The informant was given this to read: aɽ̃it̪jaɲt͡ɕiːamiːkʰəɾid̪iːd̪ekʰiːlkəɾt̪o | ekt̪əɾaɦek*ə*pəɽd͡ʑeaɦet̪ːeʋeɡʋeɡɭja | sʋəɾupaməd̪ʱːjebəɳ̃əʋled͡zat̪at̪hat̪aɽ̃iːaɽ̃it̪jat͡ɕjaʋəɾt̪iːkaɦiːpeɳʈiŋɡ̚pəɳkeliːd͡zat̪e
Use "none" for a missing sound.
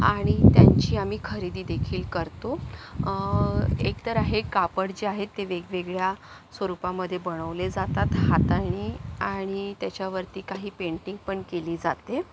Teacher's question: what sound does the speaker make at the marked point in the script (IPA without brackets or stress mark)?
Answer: a